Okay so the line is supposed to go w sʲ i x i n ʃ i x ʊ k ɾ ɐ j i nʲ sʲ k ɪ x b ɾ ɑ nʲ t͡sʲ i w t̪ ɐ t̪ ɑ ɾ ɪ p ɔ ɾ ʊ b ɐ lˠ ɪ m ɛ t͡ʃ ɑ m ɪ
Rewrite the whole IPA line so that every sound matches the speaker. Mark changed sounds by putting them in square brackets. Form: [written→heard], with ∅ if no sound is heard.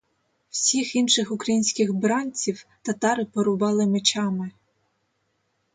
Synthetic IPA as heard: w sʲ i x i n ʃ [i→ɪ] x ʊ k ɾ ɐ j i nʲ sʲ k ɪ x b ɾ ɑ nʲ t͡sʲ i w t̪ ɐ t̪ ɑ ɾ ɪ p ɔ ɾ ʊ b [ɐ→ɑ] lˠ ɪ m [ɛ→e] t͡ʃ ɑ m ɪ